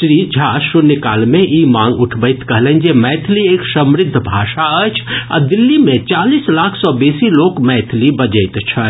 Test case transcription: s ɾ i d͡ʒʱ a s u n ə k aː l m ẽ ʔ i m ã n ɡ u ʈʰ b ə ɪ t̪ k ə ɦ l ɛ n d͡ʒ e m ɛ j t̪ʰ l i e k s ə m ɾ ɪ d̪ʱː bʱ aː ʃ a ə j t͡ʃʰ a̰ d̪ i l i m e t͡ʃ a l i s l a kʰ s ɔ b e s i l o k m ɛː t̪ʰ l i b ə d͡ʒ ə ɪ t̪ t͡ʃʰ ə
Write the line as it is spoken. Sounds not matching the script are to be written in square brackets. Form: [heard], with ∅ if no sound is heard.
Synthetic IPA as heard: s ɾ i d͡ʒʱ a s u n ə k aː l m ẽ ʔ i m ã [ŋ] ɡ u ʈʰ b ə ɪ t̪ k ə ɦ l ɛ n d͡ʒ e m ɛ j t̪ʰ l i e k s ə m ɾ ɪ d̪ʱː bʱ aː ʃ a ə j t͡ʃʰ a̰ d̪ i [lː] i m e t͡ʃ a l i s l a kʰ s ɔ b e s i l o k m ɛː t̪ʰ l i b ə d͡ʒ ə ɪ t̪ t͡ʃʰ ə